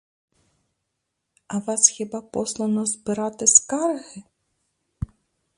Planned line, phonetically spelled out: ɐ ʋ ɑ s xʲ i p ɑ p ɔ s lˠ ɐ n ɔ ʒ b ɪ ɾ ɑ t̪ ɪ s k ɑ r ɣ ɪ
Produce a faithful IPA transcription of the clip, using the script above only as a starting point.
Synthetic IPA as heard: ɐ ʋ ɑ s xʲ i b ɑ p ɔ s lˠ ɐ n ɔ z b ɪ ɾ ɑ t̪ ɪ s k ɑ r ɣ ɪ